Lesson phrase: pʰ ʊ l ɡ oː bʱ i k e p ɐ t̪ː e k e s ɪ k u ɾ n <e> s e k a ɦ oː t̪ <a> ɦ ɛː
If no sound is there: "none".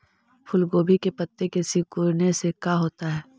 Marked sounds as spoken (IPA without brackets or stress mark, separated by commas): e, a